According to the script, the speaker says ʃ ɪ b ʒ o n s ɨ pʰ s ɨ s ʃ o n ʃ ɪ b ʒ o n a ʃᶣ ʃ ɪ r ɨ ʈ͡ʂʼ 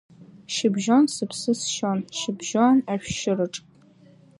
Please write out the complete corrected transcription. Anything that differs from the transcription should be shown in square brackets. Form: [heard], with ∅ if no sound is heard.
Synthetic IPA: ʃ ɪ b ʒ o n s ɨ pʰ s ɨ s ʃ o n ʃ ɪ b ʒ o n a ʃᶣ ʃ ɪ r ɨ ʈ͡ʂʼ

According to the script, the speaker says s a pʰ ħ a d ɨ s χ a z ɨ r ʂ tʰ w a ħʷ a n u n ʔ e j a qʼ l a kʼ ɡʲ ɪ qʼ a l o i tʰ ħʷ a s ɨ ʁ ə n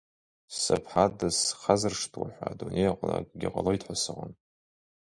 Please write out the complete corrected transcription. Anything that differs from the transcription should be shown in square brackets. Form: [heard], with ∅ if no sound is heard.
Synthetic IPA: s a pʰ ħ a d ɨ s χ a z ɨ r ʂ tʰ w a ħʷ a [d] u n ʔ e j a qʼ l a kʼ ɡʲ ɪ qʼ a l o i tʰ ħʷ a s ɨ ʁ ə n

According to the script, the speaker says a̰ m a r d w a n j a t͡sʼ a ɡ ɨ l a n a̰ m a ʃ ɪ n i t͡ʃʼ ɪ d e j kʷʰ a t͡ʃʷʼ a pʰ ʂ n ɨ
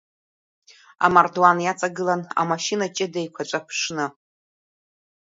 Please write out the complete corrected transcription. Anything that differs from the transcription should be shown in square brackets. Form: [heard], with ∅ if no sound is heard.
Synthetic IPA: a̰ m a r d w a n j a t͡sʼ a ɡ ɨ l a n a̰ m a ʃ [i] n [a] t͡ʃʼ ɪ d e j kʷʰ a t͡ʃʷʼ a pʰ ʂ n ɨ

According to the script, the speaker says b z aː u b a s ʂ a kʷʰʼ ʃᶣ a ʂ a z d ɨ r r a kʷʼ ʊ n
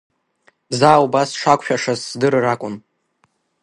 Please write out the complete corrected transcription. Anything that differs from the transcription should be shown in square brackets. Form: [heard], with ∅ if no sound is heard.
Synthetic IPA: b z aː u b a s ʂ a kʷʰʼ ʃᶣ a ʂ a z d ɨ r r a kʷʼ ʊ n

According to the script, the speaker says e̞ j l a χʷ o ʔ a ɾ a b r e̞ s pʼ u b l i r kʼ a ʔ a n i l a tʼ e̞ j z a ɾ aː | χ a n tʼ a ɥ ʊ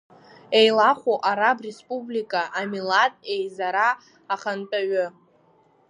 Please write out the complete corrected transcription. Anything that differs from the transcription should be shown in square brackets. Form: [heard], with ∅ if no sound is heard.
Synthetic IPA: e̞ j l a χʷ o ʔ a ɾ a b r e̞ s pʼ u b l i [∅] kʼ a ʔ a [m] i l a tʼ e̞ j z a ɾ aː | χ a n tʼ a ɥ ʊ

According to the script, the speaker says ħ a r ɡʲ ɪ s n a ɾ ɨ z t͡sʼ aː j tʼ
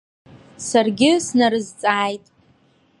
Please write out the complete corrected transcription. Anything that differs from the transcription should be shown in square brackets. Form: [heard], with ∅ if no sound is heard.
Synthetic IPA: [s] a r ɡʲ ɪ s n a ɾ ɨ z t͡sʼ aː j tʼ

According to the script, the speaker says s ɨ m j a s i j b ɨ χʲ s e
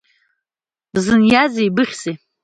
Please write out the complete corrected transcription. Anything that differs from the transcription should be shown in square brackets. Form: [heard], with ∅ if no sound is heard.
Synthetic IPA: [z] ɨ [n] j a [z] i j b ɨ χʲ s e

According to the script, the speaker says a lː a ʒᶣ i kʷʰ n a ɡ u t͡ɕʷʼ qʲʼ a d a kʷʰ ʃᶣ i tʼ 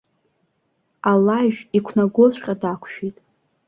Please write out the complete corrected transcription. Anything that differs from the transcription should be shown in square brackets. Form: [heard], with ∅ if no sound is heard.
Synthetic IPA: a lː a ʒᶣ i kʷʰ n a ɡ [o] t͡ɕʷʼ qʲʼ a d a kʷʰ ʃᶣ i tʼ

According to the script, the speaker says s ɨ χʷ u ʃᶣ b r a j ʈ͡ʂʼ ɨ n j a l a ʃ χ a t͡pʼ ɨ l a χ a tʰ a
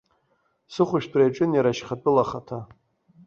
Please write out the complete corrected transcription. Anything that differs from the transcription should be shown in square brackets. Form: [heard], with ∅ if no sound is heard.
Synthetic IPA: s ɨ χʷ [ʊ] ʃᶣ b r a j ʈ͡ʂʼ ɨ n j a [ɾ] a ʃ χ a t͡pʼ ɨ l a χ a tʰ a

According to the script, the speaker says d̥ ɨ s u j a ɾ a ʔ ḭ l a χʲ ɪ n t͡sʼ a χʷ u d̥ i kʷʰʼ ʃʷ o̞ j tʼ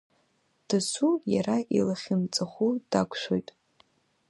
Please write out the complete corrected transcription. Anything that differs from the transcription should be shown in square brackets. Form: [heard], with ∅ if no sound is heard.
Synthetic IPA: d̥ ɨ s u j a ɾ a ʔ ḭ l a χʲ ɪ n t͡sʼ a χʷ u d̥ [a] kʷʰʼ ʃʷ o̞ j tʼ

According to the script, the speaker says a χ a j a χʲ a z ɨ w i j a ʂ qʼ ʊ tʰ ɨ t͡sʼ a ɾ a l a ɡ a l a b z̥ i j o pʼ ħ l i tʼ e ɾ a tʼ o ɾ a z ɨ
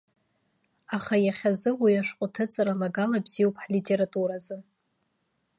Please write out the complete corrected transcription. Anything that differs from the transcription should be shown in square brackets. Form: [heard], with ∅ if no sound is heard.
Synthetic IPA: a χ a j a χʲ a z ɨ w i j a ʂ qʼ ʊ tʰ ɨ t͡sʼ a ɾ a l a ɡ a l a b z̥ i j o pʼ ħ l i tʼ e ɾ a tʼ [u] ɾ a z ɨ

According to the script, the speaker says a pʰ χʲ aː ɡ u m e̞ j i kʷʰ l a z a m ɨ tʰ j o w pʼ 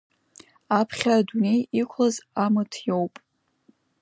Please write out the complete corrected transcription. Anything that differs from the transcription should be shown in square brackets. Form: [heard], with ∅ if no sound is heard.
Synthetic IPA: a pʰ χʲ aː [d] u [n] e̞ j i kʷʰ l a z a m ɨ tʰ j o w pʼ

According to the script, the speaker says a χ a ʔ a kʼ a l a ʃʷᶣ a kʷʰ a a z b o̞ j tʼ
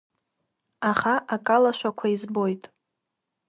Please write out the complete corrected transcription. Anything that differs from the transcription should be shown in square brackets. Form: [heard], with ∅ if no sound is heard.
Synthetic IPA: a χ a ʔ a kʼ a l a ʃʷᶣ a kʷʰ a [i] z b o̞ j tʼ

